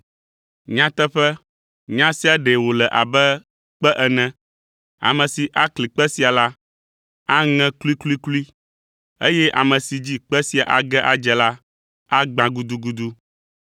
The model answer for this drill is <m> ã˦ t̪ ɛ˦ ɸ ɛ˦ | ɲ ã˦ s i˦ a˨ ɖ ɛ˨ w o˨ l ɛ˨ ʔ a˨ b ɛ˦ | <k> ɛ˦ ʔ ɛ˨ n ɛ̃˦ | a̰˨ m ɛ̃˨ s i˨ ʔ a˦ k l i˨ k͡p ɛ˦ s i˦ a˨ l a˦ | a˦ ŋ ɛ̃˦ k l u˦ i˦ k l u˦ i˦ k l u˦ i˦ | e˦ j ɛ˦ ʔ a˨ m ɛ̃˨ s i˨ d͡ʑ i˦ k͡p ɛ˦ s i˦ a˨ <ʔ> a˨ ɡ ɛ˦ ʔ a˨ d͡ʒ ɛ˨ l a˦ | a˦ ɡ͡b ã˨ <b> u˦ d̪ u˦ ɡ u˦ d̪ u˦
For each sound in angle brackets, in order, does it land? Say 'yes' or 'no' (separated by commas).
no, no, yes, no